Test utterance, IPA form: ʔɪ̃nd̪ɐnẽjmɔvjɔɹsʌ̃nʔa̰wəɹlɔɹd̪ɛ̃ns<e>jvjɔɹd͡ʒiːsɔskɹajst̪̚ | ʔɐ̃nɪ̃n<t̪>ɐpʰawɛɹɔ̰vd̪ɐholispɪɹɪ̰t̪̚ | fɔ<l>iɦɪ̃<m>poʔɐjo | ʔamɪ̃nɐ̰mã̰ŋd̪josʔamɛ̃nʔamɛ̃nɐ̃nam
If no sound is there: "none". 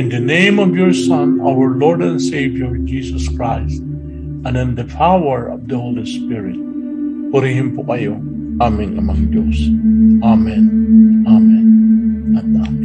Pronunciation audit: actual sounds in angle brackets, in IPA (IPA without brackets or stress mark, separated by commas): e, d̪, ɾ, m